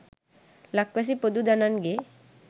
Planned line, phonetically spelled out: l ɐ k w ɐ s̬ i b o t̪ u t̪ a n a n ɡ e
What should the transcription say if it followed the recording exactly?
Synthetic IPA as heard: l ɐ k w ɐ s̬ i p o d̪ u d̪ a n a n ɡ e